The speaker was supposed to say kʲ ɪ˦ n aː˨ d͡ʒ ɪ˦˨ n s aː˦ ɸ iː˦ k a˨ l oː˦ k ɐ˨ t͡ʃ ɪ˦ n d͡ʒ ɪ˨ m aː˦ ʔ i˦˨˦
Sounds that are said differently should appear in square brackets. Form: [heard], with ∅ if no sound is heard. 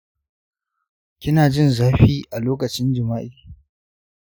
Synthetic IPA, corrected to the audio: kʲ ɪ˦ n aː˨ d͡ʒ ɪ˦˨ n [z] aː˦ ɸ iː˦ [ʔ] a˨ l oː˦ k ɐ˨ t͡ʃ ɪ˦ n d͡ʒ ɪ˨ m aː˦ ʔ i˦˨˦